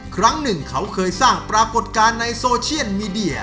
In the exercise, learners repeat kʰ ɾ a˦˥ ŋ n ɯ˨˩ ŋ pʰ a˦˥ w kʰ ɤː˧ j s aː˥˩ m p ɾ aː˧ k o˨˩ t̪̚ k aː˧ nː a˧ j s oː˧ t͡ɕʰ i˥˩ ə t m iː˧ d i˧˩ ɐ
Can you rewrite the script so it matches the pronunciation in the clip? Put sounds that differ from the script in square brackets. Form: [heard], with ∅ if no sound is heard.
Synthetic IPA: kʰ ɾ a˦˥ ŋ n ɯ˨˩ ŋ [kʰ] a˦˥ w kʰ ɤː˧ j s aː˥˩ [ŋ] p ɾ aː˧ k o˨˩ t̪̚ k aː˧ nː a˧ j s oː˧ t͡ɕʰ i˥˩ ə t m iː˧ d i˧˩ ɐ